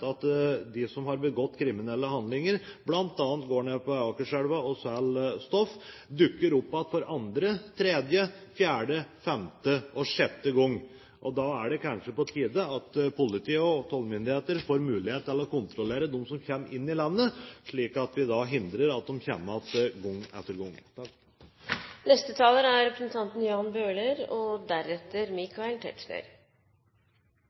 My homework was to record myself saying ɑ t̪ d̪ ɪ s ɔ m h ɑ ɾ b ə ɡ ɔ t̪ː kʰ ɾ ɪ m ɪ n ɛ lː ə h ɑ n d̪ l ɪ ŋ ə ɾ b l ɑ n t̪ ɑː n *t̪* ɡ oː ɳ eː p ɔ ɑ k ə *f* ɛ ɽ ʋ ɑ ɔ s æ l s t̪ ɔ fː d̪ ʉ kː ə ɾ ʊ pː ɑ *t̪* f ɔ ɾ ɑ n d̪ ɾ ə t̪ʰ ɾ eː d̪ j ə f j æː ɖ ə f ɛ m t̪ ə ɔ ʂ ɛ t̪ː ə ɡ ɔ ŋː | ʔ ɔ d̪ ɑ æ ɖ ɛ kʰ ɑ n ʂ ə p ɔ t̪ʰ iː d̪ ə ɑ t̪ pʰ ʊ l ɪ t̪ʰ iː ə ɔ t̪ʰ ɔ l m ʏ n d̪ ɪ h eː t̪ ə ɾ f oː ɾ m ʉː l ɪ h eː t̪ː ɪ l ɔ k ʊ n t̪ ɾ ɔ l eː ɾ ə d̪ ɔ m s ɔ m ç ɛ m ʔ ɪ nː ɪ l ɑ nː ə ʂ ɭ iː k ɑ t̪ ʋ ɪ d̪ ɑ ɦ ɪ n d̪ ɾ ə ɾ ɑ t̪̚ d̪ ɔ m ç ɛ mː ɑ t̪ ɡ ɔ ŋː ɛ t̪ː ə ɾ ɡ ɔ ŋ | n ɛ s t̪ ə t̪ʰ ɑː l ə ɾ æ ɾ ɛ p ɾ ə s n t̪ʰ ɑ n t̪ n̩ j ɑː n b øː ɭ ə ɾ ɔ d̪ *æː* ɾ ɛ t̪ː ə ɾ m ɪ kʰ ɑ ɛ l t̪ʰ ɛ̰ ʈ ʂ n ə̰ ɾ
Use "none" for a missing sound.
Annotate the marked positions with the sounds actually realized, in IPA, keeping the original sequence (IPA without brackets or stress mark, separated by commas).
t̪, ʂ, t̪, æ